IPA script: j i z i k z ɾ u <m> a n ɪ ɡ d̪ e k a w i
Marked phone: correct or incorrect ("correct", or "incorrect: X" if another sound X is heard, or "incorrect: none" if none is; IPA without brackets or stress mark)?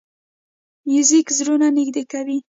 incorrect: n